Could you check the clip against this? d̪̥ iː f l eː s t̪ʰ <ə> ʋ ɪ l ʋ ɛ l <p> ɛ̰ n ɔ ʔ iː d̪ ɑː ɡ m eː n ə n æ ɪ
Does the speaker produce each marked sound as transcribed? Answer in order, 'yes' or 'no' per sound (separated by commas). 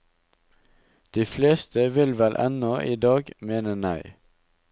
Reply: yes, no